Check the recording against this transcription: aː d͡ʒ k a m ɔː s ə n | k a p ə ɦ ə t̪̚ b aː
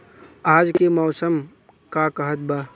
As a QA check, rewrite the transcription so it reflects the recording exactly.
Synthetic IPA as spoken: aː d͡ʒ k e m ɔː s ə m | k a k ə ɦ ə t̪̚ b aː